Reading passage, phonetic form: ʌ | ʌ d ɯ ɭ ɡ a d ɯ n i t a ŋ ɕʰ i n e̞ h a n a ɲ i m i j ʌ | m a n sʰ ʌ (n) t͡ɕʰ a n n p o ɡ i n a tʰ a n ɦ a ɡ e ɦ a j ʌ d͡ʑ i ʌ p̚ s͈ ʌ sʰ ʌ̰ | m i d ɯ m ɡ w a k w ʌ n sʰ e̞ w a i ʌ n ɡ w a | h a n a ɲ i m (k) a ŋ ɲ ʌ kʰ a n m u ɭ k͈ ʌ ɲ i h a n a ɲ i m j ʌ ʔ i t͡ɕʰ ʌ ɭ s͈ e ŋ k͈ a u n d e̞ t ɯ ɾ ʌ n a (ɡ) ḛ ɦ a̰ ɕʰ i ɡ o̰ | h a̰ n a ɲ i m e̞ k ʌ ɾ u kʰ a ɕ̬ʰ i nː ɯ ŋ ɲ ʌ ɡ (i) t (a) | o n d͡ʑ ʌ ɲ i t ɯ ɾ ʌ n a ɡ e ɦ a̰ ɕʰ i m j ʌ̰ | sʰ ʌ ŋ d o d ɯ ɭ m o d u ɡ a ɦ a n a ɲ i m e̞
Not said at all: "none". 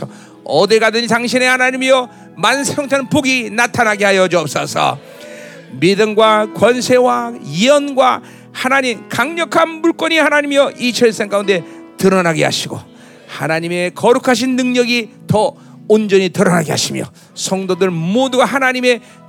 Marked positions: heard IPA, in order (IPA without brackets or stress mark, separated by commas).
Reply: ŋ, k, ɡ, i, ʌ